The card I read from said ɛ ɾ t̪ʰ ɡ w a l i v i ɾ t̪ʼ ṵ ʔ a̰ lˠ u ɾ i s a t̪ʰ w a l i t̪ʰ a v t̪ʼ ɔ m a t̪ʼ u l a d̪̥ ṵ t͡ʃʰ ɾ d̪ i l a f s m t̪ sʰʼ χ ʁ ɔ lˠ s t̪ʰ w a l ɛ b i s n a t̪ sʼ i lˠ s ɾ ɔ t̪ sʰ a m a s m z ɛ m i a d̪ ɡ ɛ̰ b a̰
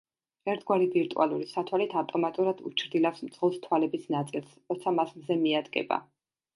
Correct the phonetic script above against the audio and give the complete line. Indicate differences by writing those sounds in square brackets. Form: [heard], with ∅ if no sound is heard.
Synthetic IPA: ɛ ɾ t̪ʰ ɡ w a [ɾ] i v i ɾ t̪ʼ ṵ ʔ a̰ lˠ u ɾ i s a t̪ʰ w a l i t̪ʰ a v t̪ʼ ɔ m a t̪ʼ u [ɾ] a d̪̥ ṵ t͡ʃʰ ɾ d̪ i l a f s m t̪ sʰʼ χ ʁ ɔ lˠ s t̪ʰ w a l ɛ b i s n a t̪ sʼ i lˠ s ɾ ɔ t̪ sʰ a m a s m z ɛ m i a d̪ ɡ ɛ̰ b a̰